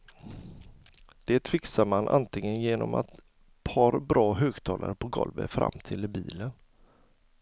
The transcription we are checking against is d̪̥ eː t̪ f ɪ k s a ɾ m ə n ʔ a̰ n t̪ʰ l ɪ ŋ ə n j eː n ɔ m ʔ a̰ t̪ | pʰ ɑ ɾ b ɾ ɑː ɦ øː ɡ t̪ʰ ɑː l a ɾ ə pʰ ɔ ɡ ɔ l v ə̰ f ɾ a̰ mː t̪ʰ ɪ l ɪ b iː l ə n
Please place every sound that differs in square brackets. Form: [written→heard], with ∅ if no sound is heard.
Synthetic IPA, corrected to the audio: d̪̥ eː t̪ f ɪ k s a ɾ m [ə→a] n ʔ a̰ n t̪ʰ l ɪ ŋ ə n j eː n ɔ m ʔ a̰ t̪ | pʰ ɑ ɾ b ɾ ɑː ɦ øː ɡ t̪ʰ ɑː l a ɾ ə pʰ ɔ ɡ ɔ l v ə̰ f ɾ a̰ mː t̪ʰ ɪ l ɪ b iː l ə n